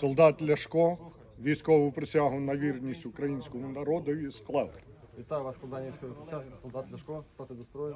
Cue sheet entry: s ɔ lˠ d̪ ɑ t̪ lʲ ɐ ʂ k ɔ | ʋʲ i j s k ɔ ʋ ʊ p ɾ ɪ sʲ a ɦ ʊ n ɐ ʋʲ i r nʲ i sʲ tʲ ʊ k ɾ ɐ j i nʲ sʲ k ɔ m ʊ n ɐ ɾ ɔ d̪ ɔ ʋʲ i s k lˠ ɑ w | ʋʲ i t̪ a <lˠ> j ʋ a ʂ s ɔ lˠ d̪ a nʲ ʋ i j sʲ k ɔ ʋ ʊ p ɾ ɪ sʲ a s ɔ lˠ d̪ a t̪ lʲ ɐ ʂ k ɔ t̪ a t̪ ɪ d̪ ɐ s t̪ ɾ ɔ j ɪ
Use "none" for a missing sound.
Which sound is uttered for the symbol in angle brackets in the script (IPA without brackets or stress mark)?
none